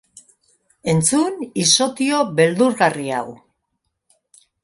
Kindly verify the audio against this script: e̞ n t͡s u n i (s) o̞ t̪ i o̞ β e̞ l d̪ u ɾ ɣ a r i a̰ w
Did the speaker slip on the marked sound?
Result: no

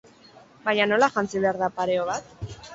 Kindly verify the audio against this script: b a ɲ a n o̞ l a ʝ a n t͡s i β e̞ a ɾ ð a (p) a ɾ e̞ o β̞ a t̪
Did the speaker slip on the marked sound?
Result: no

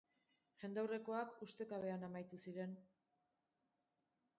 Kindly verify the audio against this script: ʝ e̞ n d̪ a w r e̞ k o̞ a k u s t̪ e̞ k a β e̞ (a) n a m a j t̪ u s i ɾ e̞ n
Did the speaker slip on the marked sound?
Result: no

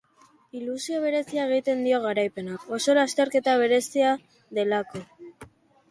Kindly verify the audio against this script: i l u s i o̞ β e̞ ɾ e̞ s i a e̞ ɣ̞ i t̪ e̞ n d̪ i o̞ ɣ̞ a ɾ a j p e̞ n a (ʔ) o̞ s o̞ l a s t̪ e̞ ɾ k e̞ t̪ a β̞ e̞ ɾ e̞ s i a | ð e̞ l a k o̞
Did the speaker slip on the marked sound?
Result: yes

